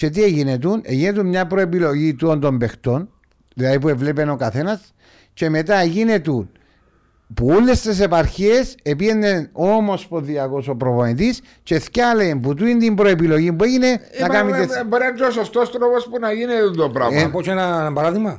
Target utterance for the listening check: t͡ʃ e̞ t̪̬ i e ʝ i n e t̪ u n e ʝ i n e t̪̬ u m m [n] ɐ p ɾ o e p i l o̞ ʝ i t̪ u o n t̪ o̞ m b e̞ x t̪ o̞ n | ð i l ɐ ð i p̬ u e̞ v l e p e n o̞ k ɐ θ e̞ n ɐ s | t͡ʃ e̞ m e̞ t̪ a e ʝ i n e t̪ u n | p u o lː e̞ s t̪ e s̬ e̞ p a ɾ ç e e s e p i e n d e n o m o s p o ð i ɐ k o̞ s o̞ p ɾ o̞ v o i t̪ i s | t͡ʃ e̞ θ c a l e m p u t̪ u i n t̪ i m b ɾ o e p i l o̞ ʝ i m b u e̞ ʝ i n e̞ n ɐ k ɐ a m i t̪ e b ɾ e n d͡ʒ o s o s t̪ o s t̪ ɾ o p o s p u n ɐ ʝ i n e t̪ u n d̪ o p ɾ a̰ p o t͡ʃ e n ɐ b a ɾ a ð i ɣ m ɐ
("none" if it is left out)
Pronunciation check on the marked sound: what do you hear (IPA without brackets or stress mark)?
ɲ